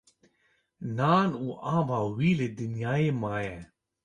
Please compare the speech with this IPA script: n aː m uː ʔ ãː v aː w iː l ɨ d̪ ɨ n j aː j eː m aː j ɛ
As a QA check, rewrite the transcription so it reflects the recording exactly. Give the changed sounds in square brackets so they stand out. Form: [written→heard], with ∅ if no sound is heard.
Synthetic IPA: n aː [m→n] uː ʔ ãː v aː w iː l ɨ d̪ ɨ n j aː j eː m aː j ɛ